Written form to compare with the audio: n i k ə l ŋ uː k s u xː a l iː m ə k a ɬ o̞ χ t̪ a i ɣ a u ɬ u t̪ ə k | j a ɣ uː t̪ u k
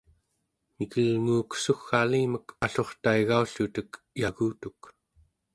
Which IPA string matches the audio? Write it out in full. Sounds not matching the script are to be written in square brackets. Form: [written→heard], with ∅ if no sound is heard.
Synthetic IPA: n i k ə l ŋ uː k s u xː a l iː m ə k a ɬ o̞ χ t̪ a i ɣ a u ɬ u t̪ ə k | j a ɣ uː t̪ u k